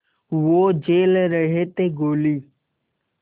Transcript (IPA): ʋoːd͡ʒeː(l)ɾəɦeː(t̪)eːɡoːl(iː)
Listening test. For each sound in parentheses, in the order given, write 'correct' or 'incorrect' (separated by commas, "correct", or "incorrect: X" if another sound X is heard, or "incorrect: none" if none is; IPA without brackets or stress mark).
correct, correct, correct